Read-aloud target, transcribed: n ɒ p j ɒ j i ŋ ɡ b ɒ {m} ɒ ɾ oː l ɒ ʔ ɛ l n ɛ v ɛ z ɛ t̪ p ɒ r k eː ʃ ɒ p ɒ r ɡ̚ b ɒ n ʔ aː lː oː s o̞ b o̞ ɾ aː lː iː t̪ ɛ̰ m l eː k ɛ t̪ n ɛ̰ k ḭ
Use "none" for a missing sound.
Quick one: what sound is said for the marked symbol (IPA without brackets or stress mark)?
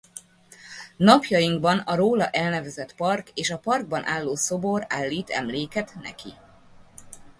n